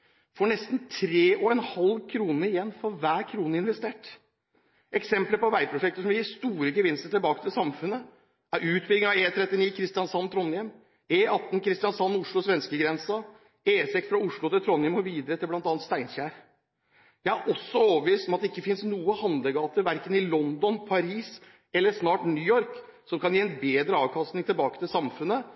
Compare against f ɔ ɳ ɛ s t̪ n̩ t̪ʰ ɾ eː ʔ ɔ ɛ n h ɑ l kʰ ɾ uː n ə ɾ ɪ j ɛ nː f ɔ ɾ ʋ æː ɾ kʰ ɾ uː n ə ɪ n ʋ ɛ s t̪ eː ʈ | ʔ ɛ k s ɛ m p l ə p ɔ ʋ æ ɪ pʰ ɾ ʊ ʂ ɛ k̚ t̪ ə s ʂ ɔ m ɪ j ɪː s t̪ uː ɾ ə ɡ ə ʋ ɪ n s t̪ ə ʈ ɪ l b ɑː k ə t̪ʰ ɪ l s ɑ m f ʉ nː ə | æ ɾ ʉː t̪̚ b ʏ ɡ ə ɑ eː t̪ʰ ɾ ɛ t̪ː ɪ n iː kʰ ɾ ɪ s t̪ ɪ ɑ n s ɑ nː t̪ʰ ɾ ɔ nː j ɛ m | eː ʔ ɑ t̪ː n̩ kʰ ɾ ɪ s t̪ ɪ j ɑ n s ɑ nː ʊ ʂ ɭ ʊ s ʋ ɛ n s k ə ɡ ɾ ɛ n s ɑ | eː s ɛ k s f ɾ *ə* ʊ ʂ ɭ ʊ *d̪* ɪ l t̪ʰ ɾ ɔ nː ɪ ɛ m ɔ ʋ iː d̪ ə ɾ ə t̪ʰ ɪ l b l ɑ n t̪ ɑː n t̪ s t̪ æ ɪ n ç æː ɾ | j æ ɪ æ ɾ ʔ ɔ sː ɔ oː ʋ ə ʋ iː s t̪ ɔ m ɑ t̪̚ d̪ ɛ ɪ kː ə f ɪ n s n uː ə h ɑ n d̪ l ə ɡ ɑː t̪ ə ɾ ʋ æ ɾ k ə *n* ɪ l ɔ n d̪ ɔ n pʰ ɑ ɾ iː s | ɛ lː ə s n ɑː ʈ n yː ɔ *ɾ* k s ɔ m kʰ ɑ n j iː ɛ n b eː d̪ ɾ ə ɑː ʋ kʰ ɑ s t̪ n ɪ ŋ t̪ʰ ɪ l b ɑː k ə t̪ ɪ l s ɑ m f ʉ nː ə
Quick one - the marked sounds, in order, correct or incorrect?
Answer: incorrect, incorrect, correct, correct

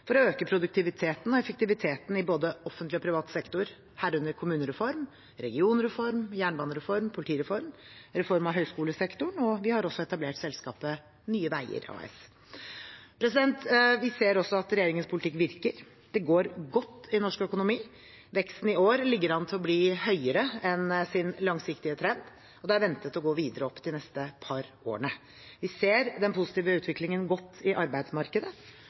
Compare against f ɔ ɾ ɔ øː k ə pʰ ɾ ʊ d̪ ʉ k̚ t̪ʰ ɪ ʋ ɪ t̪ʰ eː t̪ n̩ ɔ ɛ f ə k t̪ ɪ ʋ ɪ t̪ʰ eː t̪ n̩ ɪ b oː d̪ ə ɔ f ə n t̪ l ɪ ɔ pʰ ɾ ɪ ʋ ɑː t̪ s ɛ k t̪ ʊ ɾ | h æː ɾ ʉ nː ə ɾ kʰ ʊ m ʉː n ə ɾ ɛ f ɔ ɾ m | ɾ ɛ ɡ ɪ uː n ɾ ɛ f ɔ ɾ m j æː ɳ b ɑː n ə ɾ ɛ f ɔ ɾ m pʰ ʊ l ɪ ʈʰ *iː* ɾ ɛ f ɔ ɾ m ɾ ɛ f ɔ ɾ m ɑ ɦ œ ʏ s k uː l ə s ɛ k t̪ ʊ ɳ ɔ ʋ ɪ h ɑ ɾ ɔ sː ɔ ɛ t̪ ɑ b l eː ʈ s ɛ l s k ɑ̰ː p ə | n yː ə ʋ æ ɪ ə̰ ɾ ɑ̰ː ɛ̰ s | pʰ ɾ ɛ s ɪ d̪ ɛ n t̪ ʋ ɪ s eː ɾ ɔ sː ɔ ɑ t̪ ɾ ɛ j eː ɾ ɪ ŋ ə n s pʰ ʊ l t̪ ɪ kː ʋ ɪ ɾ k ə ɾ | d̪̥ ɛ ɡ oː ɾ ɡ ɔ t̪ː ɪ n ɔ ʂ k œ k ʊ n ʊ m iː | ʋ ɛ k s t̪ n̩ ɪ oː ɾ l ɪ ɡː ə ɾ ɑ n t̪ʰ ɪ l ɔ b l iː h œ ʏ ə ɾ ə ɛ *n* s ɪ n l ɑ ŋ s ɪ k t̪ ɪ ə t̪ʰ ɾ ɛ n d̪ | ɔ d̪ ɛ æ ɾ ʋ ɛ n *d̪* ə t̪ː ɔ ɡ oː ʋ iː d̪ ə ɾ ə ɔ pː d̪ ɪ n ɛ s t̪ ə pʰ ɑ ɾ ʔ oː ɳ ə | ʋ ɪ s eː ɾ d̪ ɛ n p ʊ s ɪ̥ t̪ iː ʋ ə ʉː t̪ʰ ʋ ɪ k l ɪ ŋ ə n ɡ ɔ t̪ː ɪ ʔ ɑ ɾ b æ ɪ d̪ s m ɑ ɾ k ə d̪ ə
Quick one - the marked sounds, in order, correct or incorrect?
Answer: correct, correct, incorrect

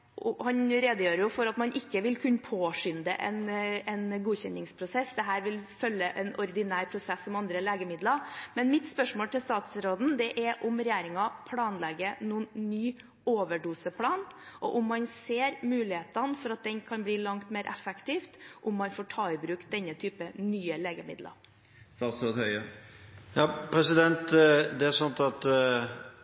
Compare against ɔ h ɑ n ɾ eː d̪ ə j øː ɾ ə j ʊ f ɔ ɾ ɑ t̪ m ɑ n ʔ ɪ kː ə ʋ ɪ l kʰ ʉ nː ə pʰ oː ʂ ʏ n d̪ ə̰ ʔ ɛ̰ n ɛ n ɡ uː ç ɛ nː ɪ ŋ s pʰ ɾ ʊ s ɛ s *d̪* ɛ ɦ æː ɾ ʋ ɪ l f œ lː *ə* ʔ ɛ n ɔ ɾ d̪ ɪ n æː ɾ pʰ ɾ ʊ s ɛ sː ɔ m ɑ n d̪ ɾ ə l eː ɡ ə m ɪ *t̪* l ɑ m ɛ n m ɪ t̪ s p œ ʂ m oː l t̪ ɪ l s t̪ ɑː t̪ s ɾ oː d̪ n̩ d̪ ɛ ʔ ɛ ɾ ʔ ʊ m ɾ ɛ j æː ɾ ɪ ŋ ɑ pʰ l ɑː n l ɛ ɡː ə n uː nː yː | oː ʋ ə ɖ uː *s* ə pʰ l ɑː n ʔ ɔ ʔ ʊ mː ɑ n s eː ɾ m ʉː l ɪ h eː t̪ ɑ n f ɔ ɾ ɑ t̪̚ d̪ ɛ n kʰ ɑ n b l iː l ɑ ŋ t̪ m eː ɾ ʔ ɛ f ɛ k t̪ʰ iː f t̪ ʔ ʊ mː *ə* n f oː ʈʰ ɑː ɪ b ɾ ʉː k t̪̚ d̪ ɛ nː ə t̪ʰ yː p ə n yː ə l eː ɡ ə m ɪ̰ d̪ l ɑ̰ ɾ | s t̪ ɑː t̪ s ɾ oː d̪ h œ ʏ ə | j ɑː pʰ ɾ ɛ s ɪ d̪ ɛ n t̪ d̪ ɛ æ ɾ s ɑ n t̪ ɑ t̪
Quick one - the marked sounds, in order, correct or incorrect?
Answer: correct, correct, incorrect, correct, incorrect

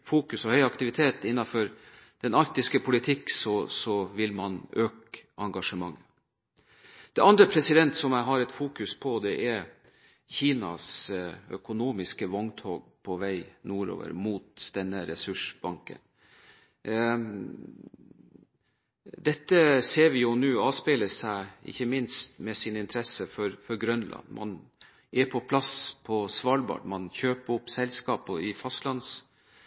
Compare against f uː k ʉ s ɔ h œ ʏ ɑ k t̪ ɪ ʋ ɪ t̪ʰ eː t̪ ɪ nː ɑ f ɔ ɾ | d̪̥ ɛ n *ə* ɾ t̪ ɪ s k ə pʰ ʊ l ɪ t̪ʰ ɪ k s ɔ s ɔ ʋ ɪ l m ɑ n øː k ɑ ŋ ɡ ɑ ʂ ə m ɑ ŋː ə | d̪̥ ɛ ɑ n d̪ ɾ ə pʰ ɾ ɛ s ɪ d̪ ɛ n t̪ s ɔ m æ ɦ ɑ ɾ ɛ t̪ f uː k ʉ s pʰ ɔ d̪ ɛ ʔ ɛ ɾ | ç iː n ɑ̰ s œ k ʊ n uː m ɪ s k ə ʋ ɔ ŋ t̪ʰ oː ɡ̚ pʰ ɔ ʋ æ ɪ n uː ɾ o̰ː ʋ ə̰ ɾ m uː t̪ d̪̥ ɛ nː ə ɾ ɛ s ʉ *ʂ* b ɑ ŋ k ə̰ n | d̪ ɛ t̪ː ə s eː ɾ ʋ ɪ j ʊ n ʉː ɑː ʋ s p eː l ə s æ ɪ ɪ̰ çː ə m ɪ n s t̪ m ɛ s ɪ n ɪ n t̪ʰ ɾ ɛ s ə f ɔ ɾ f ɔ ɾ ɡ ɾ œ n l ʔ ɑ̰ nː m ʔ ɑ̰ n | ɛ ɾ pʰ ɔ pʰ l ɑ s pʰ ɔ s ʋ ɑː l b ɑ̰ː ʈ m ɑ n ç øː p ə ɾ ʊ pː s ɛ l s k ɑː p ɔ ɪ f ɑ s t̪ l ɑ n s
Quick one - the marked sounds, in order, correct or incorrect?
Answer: incorrect, correct

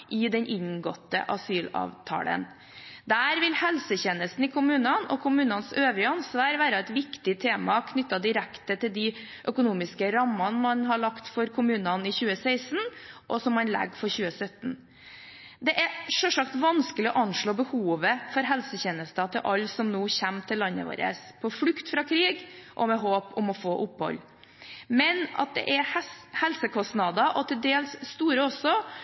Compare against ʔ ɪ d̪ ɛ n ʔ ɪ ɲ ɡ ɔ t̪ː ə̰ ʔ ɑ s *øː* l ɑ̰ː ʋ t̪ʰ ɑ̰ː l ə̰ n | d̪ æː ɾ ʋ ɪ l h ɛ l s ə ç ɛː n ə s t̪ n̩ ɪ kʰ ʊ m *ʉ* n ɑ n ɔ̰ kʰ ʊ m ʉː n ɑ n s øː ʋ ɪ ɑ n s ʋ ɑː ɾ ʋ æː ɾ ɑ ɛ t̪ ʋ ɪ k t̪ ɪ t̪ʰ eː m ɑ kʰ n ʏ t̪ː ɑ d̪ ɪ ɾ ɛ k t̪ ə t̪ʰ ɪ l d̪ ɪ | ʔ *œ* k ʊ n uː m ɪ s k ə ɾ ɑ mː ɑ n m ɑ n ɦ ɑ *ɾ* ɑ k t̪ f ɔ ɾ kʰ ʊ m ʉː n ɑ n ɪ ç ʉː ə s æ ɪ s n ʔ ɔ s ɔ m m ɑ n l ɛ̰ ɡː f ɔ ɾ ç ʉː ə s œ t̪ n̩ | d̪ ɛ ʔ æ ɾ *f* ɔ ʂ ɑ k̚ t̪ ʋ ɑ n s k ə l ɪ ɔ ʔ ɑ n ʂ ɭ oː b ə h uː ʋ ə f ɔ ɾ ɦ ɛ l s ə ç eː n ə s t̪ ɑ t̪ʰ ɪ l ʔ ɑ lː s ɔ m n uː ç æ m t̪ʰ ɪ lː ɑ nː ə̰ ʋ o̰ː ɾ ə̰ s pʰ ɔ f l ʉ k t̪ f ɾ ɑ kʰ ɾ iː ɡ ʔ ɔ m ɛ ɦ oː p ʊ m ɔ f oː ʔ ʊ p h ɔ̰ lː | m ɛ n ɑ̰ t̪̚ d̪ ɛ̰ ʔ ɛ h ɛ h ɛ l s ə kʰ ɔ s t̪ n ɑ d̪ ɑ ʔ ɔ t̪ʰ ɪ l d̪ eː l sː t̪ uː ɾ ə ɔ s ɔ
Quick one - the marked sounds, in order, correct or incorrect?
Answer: incorrect, incorrect, correct, incorrect, incorrect

